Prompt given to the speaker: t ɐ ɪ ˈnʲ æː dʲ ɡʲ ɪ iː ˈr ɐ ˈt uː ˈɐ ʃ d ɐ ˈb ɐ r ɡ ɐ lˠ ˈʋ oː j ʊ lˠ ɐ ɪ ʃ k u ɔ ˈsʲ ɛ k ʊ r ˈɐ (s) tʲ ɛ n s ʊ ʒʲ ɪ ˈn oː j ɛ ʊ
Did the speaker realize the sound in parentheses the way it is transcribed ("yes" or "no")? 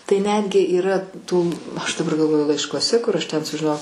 no